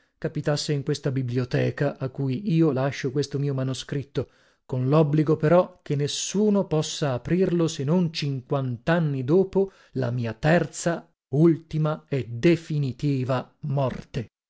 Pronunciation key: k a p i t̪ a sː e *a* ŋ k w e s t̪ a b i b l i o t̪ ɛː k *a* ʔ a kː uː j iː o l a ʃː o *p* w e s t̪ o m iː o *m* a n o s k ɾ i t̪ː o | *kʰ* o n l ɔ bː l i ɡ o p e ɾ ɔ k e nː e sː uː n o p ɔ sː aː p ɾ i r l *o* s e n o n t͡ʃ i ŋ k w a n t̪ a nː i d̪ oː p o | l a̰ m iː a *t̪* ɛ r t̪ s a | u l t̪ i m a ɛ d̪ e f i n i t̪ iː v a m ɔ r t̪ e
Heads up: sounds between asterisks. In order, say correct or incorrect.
incorrect, correct, incorrect, correct, incorrect, correct, correct

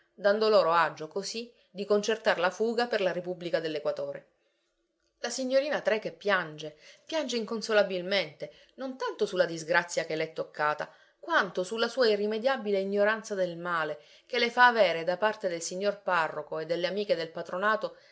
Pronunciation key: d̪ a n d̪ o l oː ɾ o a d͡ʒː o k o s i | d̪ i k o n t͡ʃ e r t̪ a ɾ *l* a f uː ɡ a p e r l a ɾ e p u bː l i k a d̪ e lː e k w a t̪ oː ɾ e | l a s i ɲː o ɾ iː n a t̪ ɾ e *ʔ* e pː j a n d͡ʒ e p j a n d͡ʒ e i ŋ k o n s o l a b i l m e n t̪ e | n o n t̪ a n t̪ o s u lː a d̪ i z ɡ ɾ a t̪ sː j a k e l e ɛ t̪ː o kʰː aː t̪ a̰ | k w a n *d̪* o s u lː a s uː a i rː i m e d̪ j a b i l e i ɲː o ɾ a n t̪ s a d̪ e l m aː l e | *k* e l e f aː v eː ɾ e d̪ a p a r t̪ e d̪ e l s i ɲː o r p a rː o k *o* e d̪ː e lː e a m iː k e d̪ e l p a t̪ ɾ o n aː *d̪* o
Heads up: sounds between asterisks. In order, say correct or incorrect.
correct, incorrect, incorrect, correct, correct, incorrect

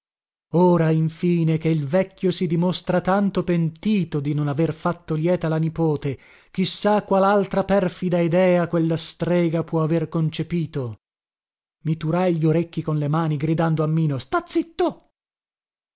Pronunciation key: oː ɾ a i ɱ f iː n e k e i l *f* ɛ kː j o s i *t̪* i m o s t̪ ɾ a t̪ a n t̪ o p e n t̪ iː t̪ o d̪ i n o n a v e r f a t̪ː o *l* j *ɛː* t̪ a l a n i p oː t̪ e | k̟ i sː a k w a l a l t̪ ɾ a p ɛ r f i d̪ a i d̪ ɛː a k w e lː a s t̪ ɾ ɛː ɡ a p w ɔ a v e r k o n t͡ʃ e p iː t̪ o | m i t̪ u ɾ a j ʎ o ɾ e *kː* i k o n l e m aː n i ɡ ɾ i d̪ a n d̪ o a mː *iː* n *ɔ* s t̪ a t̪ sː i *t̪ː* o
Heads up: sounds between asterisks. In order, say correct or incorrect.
incorrect, incorrect, correct, correct, correct, correct, incorrect, correct

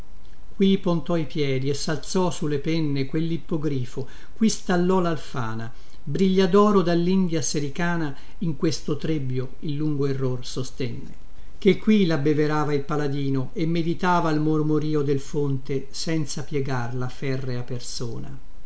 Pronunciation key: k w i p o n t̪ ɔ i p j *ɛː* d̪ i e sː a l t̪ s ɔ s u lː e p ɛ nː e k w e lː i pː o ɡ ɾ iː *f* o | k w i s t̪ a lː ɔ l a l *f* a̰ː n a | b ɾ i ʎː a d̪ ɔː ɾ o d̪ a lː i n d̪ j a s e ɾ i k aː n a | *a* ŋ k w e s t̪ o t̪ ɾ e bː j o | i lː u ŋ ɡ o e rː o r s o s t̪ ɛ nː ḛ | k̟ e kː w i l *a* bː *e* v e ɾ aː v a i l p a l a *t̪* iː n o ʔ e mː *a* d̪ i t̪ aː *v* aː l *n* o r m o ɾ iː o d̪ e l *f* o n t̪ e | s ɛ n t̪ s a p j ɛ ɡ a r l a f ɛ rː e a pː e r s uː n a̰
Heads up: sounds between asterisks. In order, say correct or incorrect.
correct, correct, correct, incorrect, correct, correct, incorrect, incorrect, correct, incorrect, correct

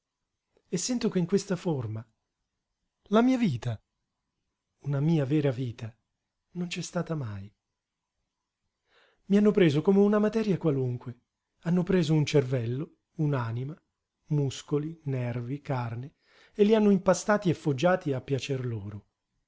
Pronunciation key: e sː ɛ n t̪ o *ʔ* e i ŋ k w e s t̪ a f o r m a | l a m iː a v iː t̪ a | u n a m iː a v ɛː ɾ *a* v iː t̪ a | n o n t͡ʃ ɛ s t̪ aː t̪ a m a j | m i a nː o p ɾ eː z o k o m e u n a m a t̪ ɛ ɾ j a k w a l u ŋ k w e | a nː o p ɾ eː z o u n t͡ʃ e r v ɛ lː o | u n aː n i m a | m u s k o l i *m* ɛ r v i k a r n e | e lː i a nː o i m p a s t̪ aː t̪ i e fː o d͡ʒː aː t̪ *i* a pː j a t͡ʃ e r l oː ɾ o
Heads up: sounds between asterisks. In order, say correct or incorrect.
incorrect, correct, incorrect, correct

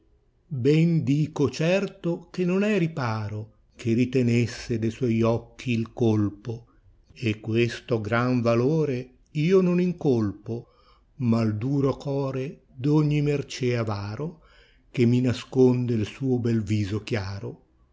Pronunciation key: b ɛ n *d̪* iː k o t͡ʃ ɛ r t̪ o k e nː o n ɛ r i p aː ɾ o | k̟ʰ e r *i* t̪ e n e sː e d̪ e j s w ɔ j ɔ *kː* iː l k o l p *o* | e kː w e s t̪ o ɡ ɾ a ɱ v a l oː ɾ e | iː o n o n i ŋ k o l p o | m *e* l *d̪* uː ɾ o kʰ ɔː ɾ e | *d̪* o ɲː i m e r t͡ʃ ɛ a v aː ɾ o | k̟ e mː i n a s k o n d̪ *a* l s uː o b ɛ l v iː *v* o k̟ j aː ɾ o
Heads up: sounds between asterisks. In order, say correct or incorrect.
correct, correct, correct, correct, incorrect, correct, correct, incorrect, incorrect

